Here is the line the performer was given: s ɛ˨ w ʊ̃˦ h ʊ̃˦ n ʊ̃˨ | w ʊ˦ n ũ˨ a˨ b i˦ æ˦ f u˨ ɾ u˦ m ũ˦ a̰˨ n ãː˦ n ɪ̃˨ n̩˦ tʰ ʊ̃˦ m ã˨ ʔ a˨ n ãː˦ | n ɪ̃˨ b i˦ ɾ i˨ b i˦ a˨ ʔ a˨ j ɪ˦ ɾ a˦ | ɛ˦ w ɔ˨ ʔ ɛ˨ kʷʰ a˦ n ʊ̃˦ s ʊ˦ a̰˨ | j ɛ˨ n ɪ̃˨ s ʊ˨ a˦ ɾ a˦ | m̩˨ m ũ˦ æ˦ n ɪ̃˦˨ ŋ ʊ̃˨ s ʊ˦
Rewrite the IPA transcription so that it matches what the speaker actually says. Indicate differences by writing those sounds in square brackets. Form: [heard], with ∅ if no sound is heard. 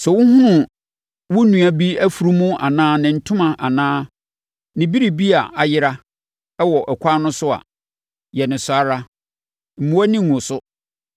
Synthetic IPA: s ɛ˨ w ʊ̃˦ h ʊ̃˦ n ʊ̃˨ | w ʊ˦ n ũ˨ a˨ b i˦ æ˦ f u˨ ɾ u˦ m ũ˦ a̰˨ n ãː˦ n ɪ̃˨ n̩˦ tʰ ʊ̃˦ m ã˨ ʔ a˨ n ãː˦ | n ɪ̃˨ b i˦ ɾ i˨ b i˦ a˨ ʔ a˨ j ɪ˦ ɾ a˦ | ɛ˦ w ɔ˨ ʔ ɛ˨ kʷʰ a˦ n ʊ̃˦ s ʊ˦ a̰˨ | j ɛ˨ n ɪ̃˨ s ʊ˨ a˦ ɾ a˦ | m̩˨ m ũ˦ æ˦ n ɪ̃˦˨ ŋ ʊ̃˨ s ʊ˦